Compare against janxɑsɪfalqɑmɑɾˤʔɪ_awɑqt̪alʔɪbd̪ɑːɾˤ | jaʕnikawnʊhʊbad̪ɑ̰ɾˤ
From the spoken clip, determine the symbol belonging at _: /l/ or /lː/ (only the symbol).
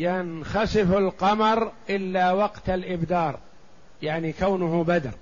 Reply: lː